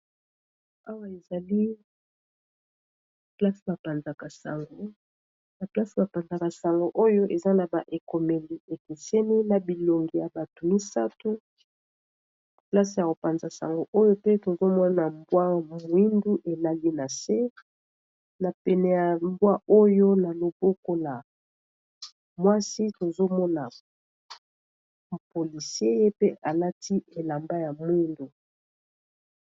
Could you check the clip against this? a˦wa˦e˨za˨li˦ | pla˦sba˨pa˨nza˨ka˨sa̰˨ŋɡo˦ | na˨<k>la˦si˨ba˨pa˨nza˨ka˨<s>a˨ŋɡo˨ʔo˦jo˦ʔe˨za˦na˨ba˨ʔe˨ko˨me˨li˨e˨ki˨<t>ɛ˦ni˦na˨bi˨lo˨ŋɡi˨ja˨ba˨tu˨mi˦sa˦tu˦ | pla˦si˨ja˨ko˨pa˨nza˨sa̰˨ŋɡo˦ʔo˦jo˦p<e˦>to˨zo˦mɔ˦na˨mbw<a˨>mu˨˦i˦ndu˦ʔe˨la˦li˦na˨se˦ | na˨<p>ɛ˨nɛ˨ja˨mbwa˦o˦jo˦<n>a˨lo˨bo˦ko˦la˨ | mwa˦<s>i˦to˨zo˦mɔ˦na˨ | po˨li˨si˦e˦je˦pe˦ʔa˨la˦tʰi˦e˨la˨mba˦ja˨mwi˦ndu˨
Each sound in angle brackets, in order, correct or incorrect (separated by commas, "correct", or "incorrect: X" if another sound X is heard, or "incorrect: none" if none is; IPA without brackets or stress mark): incorrect: p, correct, incorrect: s, correct, incorrect: a˦, correct, correct, correct